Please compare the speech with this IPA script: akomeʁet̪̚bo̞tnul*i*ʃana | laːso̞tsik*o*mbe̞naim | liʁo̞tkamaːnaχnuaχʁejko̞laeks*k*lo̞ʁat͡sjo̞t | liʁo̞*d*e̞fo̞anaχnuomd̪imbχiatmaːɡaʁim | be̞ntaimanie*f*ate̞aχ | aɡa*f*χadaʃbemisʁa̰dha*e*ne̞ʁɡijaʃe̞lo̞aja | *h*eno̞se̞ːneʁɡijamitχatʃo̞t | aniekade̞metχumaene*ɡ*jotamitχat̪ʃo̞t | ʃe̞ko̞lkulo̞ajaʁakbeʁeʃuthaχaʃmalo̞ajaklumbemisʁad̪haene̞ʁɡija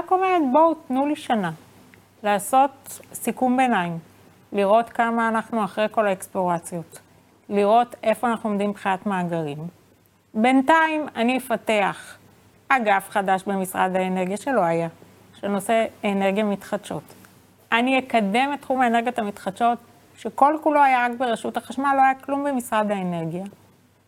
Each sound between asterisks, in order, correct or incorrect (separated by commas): correct, incorrect, incorrect, incorrect, correct, correct, correct, incorrect, correct